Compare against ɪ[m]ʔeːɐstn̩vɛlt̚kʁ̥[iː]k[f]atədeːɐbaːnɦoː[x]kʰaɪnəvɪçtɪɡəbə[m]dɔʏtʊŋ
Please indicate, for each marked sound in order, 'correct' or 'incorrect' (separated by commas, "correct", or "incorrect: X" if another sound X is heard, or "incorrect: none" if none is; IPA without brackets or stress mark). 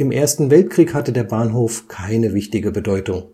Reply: correct, correct, incorrect: h, incorrect: f, incorrect: none